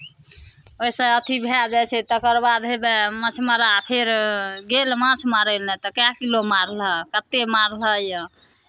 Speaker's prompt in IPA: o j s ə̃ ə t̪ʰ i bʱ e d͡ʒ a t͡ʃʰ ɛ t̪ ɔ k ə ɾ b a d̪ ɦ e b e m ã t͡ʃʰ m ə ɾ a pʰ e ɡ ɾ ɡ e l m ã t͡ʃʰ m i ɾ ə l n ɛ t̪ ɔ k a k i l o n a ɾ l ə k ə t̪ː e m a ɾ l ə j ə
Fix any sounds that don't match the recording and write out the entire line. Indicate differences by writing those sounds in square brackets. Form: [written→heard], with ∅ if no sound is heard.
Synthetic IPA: o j s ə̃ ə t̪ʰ i bʱ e d͡ʒ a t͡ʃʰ ɛ t̪ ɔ k ə ɾ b a d̪ ɦ e b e m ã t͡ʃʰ m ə ɾ a pʰ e [ɡ→∅] ɾ ɡ e l m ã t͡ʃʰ m [i→a] ɾ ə l n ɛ t̪ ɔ k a k i l o [n→m] a ɾ l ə k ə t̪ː e m a ɾ l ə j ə